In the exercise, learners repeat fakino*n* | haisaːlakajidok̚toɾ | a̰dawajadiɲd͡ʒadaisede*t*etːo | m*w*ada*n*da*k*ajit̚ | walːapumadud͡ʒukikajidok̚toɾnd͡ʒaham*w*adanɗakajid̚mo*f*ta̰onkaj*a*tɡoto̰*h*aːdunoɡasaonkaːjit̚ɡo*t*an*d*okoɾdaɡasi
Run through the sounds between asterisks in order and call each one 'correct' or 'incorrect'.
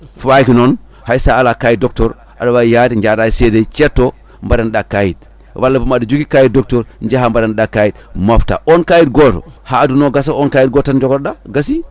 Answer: correct, incorrect: t͡ʃ, incorrect: b, correct, correct, incorrect: b, correct, incorrect: i, correct, correct, incorrect: d͡ʒ

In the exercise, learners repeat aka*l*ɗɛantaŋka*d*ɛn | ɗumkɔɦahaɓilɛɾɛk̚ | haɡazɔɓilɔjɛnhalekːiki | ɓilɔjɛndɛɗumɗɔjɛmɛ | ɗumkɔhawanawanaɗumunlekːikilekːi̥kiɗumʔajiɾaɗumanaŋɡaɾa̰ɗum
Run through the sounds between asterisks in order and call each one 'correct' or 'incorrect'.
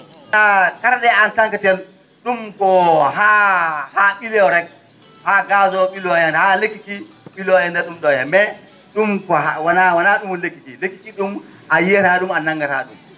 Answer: incorrect: ɾ, incorrect: t

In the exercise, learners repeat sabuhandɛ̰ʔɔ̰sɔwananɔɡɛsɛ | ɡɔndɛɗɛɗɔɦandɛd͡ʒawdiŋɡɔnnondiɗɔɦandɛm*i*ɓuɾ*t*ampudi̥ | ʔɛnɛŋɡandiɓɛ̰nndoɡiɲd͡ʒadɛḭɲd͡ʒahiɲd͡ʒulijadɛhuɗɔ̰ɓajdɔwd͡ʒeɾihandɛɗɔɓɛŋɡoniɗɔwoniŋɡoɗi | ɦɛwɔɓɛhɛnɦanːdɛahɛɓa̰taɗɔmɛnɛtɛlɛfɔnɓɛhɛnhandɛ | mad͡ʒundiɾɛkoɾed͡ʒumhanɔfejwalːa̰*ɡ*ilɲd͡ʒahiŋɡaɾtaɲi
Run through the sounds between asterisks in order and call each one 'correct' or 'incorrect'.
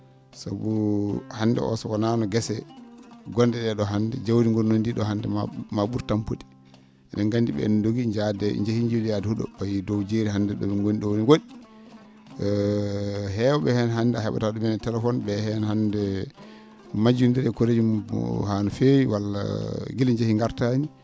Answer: incorrect: a, correct, correct

